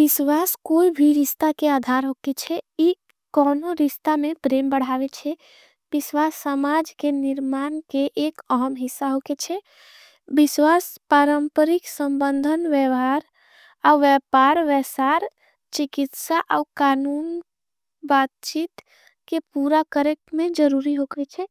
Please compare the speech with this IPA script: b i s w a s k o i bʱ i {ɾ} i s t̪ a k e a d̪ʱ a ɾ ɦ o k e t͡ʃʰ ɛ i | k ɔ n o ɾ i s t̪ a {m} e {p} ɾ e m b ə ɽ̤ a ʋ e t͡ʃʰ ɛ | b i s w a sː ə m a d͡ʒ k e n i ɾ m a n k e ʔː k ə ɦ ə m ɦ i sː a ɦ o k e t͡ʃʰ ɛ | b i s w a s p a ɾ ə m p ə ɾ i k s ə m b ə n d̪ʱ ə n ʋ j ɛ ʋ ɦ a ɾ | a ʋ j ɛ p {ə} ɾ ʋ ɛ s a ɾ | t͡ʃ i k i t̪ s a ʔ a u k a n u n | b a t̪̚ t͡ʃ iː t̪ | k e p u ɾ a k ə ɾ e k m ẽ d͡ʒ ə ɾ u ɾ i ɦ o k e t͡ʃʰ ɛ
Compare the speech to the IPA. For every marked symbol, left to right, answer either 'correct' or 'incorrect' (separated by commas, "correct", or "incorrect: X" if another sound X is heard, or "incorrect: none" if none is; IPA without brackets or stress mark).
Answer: correct, correct, correct, incorrect: a